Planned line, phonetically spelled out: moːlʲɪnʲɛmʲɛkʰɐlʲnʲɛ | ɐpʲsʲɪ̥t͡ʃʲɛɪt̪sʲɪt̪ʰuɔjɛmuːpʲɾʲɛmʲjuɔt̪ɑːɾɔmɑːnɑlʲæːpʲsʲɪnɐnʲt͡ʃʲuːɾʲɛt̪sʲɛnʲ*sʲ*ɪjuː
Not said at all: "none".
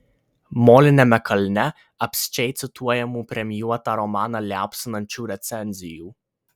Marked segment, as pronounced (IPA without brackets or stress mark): zʲ